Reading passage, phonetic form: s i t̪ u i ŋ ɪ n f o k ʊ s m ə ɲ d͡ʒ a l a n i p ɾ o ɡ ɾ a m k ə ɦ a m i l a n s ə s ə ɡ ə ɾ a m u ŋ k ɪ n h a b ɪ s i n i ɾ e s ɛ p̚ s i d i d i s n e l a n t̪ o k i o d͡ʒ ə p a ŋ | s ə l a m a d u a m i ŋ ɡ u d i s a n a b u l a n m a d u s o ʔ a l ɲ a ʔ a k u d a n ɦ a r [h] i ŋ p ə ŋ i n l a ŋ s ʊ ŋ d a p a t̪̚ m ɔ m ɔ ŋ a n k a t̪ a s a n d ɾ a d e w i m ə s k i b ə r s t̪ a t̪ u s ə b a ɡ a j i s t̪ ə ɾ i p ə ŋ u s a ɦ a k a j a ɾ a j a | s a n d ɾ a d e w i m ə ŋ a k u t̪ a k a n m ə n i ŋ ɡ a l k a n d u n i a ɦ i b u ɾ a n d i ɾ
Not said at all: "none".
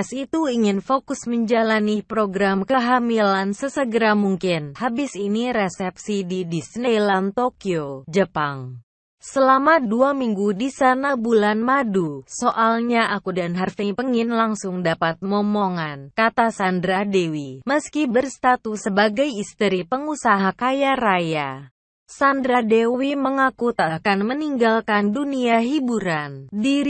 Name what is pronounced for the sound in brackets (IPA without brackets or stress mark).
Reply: f